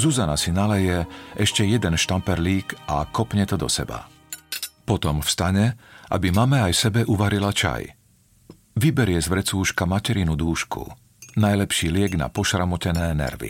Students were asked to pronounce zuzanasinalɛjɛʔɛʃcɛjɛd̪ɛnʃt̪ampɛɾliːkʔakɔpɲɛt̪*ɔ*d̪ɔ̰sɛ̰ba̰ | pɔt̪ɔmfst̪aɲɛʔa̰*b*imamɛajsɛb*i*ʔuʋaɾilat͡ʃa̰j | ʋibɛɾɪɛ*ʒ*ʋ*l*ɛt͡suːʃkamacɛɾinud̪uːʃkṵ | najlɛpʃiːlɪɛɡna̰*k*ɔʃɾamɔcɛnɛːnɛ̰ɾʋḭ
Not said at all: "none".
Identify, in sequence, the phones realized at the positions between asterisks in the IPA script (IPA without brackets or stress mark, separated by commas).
ɔ, b, ɛ, z, ɾ, p